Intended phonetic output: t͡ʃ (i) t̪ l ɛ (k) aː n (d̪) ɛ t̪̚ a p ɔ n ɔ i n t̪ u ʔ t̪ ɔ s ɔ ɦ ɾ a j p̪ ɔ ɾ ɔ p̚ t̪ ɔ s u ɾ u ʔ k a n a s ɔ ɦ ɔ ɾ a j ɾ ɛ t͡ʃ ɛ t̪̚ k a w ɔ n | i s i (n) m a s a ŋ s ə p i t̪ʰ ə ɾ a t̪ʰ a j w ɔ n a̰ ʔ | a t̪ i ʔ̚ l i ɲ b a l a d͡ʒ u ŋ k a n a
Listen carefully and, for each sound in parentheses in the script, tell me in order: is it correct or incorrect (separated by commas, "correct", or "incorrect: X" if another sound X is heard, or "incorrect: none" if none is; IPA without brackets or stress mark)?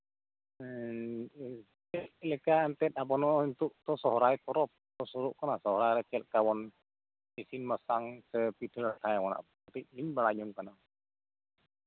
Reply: incorrect: ɛ, correct, incorrect: t̪, correct